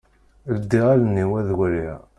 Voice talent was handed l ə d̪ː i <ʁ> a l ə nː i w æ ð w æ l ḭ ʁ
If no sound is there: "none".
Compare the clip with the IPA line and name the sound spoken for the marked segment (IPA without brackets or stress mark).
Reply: ʁ